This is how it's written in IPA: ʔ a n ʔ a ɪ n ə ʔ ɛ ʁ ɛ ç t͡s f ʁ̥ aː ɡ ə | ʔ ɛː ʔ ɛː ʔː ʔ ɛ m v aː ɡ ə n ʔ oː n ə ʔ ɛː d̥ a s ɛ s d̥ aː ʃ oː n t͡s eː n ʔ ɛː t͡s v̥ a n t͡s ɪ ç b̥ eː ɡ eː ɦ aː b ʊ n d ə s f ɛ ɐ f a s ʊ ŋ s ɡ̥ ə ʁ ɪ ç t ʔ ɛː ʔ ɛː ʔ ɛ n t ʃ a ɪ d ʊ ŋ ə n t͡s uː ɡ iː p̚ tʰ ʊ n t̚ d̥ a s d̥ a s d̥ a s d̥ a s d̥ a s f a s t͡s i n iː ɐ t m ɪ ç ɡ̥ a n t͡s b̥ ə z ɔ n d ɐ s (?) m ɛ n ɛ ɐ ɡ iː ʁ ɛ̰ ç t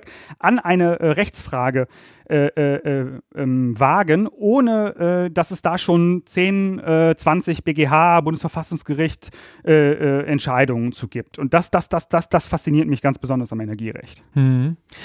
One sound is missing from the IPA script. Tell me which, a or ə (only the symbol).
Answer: a